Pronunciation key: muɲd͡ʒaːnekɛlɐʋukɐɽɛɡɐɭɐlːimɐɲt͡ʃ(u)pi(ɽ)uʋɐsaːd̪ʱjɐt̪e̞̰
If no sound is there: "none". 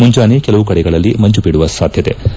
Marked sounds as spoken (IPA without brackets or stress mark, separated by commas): u, ɽ